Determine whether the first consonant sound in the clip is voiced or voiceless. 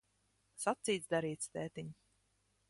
voiceless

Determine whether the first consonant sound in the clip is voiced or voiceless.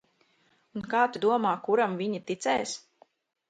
voiced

